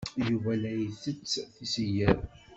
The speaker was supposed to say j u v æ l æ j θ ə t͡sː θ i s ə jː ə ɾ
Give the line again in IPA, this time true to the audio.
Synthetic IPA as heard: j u v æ l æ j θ ə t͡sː θ i s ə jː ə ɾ